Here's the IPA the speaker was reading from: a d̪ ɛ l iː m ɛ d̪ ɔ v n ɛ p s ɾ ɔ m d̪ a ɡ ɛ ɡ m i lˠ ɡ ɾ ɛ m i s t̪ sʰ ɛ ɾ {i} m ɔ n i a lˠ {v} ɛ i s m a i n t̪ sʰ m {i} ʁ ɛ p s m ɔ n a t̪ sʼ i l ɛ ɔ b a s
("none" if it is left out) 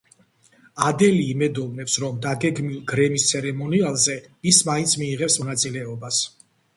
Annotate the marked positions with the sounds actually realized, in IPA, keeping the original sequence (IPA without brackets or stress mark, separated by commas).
ɛ, z, iː